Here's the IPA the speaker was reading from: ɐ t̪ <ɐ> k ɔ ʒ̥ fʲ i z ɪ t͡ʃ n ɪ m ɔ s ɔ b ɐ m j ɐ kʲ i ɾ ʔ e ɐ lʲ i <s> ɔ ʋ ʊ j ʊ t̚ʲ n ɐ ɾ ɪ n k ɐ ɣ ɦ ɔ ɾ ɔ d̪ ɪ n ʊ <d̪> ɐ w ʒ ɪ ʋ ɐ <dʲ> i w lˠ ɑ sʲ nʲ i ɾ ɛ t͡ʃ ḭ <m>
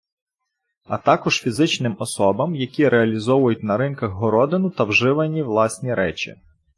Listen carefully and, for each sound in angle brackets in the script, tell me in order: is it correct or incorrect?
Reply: incorrect: ɑ, incorrect: z, incorrect: t̪, incorrect: nʲ, incorrect: none

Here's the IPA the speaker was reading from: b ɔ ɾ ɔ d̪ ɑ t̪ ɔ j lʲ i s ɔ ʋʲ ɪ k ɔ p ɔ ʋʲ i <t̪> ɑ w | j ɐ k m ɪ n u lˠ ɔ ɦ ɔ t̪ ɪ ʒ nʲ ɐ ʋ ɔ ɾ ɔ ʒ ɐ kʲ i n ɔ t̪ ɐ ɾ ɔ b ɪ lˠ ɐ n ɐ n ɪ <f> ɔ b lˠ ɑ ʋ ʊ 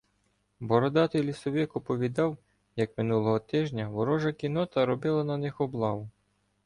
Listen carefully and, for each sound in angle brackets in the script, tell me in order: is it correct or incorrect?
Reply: incorrect: d̪, incorrect: x

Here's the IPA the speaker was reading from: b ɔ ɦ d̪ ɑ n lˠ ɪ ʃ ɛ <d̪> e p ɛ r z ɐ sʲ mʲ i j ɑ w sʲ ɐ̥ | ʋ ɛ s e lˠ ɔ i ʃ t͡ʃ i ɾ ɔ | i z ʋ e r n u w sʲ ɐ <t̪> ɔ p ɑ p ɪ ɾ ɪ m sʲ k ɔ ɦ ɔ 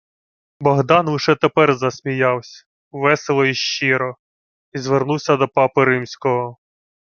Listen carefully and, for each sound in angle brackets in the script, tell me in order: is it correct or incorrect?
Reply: incorrect: t̪, incorrect: d̪

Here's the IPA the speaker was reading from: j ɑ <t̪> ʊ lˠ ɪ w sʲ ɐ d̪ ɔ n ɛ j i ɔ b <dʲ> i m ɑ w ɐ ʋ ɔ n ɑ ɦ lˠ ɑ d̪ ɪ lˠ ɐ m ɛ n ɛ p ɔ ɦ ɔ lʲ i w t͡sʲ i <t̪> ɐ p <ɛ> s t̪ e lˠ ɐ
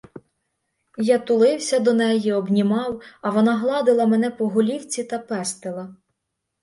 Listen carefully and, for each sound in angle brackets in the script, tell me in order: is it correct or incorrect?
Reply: correct, incorrect: nʲ, correct, correct

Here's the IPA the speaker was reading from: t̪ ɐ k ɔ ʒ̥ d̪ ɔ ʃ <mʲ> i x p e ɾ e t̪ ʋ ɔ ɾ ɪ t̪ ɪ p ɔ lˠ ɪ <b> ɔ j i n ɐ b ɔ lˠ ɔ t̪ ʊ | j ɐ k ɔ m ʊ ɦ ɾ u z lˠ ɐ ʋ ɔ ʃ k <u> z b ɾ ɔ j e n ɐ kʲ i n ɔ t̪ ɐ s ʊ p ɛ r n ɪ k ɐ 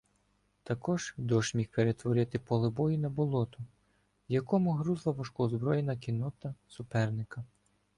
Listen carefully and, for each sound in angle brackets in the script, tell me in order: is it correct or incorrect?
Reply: correct, correct, incorrect: ɔ

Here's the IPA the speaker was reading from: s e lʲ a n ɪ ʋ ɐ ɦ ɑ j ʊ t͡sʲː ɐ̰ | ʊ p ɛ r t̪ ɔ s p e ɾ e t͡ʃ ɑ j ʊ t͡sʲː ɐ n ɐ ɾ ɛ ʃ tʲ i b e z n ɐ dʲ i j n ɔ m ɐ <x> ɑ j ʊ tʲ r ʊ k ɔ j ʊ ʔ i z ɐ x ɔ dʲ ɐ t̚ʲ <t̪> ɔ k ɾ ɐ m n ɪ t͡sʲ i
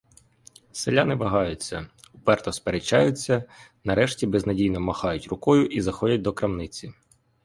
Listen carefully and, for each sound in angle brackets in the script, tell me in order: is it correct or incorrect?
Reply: correct, incorrect: d̪

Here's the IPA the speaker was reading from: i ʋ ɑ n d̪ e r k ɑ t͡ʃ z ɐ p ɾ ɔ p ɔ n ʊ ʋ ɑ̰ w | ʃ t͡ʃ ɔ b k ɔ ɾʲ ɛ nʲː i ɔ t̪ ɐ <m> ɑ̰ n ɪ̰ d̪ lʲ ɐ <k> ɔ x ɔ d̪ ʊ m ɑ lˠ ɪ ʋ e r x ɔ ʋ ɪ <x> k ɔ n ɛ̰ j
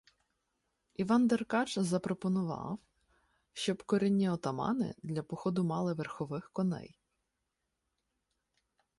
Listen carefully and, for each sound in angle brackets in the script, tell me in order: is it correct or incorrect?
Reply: correct, incorrect: p, correct

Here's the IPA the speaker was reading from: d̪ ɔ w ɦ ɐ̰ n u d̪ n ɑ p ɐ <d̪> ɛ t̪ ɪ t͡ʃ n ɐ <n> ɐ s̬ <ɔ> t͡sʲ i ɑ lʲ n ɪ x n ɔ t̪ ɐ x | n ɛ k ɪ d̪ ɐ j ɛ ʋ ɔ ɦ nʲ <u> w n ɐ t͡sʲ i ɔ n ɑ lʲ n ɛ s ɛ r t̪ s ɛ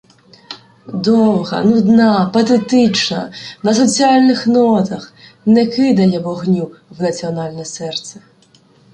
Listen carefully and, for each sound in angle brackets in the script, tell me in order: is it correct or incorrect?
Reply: incorrect: t̪, correct, correct, correct

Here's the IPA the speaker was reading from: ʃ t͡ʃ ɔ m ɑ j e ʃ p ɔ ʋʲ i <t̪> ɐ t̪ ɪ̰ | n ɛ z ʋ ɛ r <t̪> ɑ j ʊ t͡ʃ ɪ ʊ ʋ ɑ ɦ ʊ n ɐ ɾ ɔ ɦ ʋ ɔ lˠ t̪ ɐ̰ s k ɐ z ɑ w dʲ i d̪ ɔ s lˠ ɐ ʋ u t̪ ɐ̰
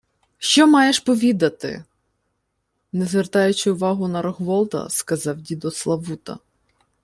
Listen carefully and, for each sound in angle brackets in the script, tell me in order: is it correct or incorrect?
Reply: incorrect: d̪, correct

